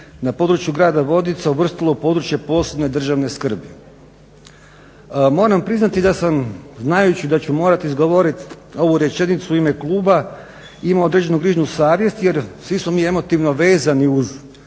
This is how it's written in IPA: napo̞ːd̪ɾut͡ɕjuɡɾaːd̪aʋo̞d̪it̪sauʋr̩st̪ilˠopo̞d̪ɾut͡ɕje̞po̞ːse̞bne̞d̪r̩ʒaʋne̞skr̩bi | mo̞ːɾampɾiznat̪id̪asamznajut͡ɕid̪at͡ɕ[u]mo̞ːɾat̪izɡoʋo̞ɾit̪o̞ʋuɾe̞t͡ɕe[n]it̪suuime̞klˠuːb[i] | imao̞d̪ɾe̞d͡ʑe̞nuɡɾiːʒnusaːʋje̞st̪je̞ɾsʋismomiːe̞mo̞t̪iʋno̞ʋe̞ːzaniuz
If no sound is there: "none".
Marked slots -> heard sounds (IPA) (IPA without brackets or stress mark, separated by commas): u, n, a